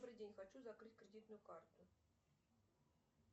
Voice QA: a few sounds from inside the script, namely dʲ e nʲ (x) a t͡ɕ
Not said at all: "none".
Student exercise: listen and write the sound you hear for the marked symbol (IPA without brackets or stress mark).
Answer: x